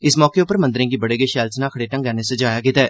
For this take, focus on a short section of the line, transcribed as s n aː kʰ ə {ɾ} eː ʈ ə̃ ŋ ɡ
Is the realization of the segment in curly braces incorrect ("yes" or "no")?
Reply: yes